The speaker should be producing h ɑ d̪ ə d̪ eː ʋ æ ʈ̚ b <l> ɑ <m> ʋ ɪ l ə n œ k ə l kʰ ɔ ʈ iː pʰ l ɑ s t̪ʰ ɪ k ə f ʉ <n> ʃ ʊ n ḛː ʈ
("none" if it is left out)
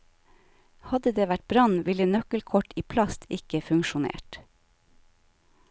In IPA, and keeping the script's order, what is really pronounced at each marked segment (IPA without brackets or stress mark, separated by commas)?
ɾ, n, ŋ